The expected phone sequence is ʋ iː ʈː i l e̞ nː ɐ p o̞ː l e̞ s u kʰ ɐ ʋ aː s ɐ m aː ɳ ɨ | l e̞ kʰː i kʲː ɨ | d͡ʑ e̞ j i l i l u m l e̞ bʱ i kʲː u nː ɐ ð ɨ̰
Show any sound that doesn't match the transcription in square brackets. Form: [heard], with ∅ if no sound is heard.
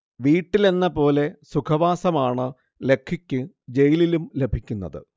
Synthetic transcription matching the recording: ʋ iː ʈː i l e̞ nː ɐ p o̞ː l e̞ s u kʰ ɐ ʋ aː s ɐ m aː ɳ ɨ | l e̞ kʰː i kʲː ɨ | d͡ʑ e̞ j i l i l u m l e̞ bʱ i kʲː u nː ɐ ð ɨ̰